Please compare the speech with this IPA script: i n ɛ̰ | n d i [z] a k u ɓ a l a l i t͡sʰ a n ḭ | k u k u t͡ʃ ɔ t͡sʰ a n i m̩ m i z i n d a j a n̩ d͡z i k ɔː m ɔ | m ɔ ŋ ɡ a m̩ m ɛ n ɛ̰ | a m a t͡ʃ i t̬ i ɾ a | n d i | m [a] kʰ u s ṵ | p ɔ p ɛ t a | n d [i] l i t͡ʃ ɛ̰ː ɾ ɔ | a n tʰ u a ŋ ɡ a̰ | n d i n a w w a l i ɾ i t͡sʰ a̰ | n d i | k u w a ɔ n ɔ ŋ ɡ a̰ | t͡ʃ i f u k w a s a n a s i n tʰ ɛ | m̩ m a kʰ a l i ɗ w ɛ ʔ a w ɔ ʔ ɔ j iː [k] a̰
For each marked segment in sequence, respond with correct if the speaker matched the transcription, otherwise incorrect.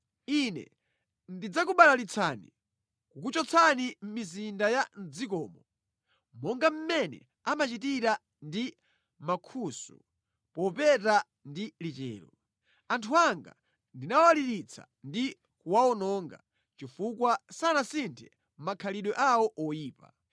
incorrect, correct, correct, incorrect

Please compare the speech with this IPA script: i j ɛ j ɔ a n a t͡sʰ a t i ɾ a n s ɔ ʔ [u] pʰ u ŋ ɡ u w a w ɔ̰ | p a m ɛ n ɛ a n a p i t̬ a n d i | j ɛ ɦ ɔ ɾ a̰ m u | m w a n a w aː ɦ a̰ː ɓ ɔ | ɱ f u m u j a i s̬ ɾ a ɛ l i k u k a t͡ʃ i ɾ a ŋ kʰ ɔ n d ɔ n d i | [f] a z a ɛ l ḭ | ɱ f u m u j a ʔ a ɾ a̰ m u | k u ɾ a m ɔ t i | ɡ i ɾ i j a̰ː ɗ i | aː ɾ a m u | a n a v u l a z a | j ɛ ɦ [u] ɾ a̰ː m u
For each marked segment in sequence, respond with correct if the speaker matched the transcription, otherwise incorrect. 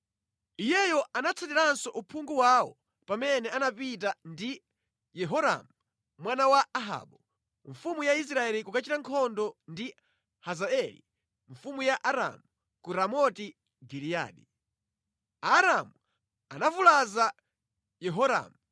correct, incorrect, incorrect

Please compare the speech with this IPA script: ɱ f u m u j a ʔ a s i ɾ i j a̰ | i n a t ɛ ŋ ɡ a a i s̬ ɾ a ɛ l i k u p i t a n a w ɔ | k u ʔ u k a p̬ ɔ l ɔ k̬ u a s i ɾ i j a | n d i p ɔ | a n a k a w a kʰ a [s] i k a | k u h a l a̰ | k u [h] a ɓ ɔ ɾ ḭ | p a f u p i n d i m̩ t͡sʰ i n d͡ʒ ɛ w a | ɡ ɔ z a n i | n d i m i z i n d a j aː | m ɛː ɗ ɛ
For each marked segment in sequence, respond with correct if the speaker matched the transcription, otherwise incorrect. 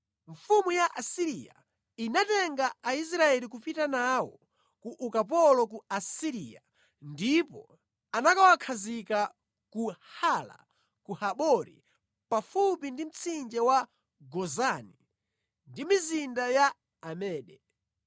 incorrect, correct

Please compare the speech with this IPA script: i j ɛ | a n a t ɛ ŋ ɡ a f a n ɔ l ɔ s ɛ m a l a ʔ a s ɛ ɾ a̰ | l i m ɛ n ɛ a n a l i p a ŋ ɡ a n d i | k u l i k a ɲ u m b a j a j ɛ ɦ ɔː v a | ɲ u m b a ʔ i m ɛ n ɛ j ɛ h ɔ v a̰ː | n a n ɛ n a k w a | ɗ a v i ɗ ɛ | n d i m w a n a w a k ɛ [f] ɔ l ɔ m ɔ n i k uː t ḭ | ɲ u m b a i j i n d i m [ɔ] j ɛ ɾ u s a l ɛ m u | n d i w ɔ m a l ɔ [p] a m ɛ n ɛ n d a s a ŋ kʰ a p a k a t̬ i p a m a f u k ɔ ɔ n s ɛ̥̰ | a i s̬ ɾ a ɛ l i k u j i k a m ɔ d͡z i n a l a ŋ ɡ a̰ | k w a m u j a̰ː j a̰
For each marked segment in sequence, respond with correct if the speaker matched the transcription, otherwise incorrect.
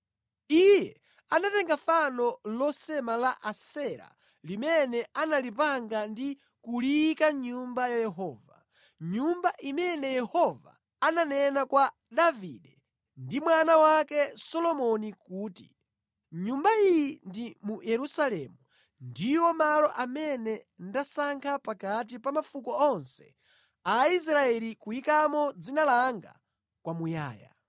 incorrect, incorrect, incorrect

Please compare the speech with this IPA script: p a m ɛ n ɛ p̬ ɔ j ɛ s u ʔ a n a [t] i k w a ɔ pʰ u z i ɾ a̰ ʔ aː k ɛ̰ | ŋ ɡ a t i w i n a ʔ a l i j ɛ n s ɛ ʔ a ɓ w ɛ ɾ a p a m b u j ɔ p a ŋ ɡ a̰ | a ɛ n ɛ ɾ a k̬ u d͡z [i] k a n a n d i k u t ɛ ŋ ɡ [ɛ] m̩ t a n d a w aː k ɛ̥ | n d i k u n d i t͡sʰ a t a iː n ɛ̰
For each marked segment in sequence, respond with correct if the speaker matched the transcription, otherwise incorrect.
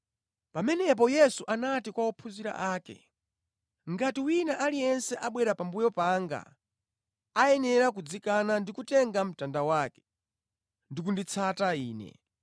correct, correct, incorrect

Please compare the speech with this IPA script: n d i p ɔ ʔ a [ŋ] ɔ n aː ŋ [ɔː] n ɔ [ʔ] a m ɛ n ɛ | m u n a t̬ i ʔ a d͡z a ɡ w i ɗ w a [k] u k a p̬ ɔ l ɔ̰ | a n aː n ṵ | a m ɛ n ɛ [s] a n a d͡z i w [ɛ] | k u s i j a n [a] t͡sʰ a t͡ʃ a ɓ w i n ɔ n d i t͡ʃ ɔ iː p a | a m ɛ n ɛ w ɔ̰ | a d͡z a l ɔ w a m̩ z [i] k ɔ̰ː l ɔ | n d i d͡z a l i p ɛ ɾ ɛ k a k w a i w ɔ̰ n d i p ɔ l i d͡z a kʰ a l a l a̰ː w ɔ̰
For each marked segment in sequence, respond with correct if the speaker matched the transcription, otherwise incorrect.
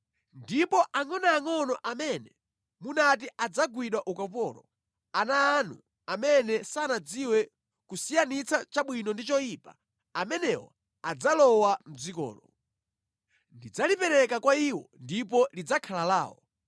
correct, incorrect, correct, incorrect, correct, correct, incorrect, correct

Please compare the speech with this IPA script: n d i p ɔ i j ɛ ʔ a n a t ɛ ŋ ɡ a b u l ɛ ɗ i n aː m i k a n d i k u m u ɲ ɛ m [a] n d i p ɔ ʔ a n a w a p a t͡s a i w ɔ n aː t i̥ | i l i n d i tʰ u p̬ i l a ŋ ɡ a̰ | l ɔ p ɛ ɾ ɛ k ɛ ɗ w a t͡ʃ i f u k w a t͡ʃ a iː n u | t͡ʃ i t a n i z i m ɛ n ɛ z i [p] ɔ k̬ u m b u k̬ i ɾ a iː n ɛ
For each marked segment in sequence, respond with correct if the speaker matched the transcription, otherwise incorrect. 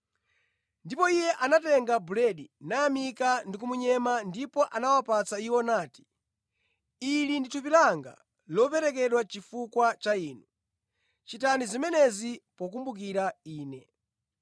correct, correct

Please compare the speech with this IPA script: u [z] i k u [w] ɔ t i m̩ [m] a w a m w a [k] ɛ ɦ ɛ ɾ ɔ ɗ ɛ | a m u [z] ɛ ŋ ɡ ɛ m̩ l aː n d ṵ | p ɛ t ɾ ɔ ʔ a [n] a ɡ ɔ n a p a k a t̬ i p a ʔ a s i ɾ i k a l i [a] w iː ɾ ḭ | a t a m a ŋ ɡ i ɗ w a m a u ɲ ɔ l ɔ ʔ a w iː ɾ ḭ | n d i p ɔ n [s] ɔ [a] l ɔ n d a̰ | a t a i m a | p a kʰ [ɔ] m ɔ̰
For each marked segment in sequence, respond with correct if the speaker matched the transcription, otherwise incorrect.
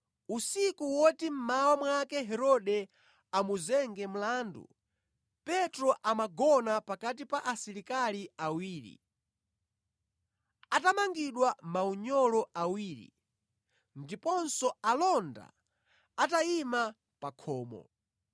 incorrect, correct, correct, correct, correct, incorrect, correct, correct, correct, incorrect

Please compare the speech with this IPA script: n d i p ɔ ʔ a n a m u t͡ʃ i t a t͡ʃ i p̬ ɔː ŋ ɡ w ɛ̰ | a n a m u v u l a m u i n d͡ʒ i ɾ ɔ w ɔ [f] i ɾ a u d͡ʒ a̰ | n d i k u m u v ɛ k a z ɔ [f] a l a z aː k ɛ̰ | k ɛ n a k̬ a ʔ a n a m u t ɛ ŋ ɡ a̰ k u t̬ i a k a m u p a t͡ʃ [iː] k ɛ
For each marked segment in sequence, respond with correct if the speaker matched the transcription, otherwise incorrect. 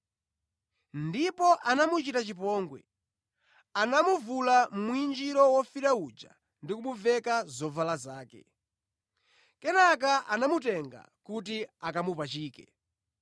correct, incorrect, correct

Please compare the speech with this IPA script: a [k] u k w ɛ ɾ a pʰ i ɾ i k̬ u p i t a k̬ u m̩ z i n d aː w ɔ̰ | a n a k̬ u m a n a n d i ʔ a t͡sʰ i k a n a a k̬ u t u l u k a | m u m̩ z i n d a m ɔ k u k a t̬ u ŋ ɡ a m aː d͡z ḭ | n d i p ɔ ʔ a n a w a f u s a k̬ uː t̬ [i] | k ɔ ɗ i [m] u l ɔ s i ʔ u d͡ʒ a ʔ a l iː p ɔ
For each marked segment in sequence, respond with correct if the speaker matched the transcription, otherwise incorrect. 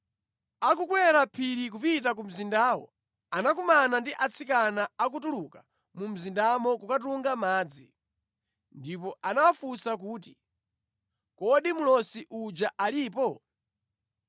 correct, correct, correct

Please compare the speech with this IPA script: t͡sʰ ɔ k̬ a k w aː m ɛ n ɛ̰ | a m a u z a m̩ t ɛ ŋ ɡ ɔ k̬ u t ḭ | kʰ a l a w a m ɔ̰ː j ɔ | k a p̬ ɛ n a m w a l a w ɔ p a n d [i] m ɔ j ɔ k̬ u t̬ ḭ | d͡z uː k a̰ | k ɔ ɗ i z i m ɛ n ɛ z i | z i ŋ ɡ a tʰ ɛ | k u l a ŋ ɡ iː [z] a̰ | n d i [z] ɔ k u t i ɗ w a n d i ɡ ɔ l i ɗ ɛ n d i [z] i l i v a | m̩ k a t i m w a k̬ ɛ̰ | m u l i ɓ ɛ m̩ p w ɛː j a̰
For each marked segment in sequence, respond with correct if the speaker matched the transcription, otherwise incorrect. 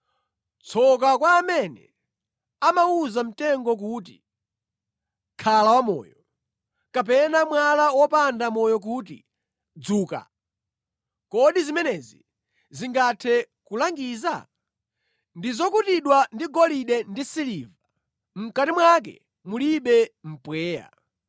incorrect, correct, correct, incorrect

